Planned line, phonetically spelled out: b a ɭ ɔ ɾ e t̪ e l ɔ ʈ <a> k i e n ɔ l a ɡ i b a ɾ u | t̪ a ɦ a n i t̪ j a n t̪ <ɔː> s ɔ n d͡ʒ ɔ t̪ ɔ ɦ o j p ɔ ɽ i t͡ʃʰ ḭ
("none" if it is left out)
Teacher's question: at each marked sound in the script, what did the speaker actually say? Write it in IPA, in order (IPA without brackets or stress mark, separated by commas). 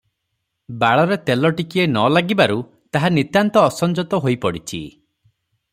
i, ɔː